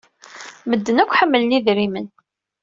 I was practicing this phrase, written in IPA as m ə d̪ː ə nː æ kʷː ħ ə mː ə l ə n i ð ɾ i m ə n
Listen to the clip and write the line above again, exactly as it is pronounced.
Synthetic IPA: m ə d̪ː ə n æ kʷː ħ ə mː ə l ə n i ð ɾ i m ə n